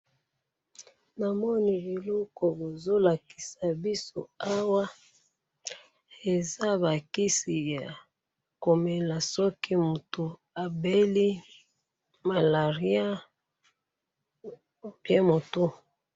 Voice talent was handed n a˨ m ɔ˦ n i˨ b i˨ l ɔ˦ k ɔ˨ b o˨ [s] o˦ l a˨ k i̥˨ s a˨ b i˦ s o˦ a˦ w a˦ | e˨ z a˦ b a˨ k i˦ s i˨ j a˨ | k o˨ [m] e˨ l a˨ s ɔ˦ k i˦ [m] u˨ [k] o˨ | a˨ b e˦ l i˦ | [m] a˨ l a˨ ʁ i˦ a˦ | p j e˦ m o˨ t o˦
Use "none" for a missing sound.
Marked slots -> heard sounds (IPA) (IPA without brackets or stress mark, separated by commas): z, m, m, t, m